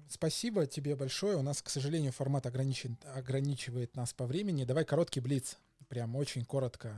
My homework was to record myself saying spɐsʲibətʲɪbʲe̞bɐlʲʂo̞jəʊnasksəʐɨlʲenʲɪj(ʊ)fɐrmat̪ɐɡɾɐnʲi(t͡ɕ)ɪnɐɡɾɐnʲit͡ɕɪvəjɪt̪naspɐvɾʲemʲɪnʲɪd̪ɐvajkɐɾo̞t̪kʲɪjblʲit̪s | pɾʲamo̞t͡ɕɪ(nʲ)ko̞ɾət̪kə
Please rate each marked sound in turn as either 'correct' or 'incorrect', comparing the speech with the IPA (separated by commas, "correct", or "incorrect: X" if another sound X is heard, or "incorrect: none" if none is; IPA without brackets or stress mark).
correct, correct, correct